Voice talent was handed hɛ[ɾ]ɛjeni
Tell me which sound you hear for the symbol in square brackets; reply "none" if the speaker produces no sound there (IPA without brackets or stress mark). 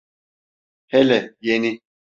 l